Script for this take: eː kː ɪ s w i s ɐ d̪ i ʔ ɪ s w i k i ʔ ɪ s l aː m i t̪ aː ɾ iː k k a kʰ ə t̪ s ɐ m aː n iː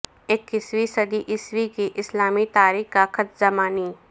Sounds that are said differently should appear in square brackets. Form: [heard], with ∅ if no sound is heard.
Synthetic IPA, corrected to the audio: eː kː ɪ s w i s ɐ d̪ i ʔ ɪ s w i k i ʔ ɪ s l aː m i t̪ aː ɾ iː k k a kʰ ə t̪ [z] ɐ m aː n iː